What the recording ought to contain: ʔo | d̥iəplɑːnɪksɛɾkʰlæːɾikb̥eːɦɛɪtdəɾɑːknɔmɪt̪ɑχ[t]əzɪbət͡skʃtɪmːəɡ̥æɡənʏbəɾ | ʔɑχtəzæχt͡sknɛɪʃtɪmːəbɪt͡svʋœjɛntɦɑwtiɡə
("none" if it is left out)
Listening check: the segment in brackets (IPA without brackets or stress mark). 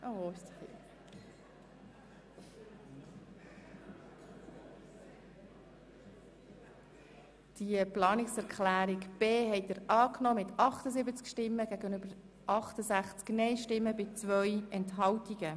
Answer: t